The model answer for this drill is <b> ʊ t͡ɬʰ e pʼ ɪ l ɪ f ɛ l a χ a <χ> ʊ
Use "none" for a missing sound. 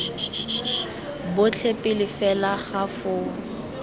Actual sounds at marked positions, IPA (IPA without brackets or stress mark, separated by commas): b, f